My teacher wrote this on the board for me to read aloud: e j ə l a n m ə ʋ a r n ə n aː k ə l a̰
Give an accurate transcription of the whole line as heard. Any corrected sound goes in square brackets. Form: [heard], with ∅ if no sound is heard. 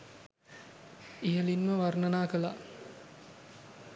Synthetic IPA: [i] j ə l [i] n m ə ʋ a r n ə n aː k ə l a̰